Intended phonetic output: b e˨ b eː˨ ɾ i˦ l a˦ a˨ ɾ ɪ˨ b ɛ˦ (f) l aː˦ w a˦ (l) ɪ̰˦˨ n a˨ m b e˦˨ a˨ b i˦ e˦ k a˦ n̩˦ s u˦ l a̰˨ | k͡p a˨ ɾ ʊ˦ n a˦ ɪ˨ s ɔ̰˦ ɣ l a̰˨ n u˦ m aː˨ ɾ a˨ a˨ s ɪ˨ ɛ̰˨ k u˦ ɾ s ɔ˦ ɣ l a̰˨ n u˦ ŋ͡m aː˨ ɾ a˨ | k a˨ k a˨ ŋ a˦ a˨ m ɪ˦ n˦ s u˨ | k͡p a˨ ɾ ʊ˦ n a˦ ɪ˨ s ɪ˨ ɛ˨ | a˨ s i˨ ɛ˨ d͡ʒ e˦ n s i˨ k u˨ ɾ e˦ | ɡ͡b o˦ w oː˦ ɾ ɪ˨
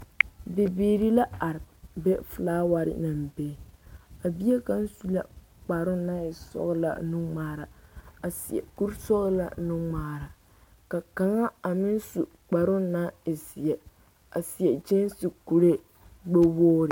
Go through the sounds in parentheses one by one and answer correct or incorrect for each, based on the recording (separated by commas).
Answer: correct, incorrect